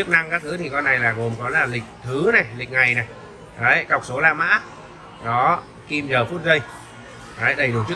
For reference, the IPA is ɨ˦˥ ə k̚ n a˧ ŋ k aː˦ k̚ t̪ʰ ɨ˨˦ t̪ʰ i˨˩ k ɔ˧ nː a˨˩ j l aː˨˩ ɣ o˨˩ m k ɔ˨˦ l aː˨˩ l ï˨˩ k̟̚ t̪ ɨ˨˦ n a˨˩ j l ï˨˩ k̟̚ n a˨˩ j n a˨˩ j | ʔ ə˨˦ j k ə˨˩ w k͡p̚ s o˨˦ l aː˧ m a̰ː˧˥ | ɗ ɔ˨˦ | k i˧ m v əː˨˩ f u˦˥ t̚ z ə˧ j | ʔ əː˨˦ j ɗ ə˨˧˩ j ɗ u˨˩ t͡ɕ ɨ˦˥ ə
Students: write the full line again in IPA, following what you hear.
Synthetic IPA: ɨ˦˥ ə k̚ n a˧ ŋ k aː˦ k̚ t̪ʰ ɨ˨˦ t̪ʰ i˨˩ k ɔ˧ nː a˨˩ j l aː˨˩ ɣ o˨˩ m k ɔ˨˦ l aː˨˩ l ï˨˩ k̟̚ t̪ʰ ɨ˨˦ n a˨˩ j l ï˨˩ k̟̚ ŋ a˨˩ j n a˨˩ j | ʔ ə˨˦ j k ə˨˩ w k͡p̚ s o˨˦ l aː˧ m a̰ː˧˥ | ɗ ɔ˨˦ | k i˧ m z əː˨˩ f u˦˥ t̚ z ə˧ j | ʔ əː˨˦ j ɗ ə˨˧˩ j ɗ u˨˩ t͡ɕ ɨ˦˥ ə